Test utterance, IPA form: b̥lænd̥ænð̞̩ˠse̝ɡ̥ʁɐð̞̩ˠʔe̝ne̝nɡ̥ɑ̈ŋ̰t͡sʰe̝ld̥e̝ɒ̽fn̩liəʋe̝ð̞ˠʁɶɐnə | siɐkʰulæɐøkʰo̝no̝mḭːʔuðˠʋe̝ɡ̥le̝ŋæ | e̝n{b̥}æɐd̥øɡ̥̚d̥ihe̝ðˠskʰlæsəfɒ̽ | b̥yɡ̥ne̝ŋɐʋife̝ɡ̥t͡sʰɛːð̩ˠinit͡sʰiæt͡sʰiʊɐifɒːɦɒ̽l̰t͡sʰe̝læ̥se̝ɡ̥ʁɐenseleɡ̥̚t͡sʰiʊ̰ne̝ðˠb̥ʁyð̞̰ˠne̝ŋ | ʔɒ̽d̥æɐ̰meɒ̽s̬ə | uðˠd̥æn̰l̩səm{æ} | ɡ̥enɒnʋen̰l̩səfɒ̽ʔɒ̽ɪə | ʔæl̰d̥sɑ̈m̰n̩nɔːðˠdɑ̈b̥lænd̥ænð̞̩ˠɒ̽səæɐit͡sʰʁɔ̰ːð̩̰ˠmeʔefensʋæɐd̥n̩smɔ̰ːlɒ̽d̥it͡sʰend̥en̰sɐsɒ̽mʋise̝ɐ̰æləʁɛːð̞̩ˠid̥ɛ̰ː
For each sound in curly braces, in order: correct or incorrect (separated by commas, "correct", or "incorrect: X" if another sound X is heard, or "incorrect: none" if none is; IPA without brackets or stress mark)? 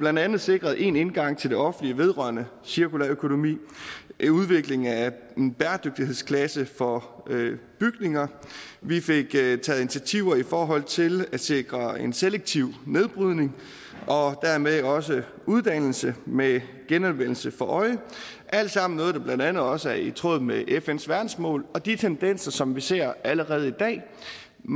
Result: correct, incorrect: e